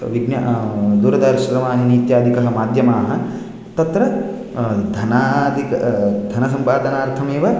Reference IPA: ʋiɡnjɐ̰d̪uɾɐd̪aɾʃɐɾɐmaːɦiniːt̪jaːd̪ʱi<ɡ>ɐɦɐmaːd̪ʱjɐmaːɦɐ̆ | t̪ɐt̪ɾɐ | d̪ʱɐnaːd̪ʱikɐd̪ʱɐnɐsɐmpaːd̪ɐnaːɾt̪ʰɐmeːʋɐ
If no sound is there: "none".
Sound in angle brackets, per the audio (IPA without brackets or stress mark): k